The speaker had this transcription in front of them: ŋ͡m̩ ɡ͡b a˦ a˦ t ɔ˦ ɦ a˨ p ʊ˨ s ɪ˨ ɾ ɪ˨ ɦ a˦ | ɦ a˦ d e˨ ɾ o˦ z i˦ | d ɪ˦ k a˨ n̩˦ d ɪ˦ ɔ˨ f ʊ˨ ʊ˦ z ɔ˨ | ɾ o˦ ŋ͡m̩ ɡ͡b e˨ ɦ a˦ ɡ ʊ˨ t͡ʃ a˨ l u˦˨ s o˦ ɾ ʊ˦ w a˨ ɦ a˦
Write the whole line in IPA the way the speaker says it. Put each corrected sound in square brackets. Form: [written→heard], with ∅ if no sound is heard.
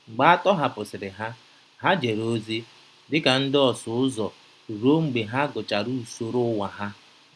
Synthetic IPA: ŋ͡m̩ ɡ͡b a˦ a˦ t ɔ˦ ɦ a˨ p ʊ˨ s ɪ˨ ɾ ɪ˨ ɦ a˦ | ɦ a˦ [d→d͡ʒ] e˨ ɾ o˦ z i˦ | d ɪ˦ k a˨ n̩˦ d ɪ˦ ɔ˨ [f→s] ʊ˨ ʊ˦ z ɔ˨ | ɾ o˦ ŋ͡m̩ ɡ͡b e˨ ɦ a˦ ɡ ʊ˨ t͡ʃ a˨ [l→ɾ] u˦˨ s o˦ ɾ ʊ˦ w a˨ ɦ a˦